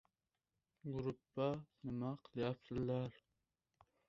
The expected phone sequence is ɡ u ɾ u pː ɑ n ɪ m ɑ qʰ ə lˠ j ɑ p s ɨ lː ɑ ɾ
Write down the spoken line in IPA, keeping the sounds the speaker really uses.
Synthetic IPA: ɡ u ɾ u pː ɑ n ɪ m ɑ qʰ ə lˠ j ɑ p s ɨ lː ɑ ɾ